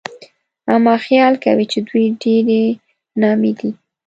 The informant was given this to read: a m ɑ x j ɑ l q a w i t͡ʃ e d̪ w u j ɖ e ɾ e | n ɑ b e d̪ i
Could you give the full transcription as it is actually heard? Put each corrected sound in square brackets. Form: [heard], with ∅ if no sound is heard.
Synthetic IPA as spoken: a m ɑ x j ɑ l [k] a w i t͡ʃ e d̪ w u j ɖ e ɾ e | n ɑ [m] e d̪ i